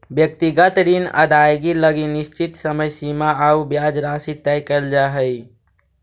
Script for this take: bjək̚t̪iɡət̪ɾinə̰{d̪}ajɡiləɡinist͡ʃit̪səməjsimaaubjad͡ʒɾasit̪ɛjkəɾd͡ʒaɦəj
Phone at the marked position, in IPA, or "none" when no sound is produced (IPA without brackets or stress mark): d̪